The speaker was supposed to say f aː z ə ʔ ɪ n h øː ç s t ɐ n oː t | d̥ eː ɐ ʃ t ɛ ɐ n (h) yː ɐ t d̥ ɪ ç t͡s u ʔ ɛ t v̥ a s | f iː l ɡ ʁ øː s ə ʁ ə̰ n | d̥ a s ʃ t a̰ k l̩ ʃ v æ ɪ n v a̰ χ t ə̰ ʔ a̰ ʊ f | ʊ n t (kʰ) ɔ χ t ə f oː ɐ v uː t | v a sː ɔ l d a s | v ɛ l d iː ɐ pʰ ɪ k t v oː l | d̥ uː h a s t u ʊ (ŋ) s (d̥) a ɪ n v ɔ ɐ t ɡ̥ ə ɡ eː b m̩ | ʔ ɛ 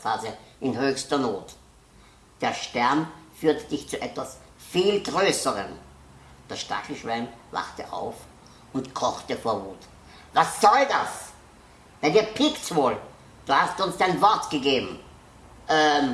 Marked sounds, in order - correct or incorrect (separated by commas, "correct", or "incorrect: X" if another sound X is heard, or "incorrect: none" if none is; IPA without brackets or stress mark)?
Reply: incorrect: f, correct, incorrect: n, correct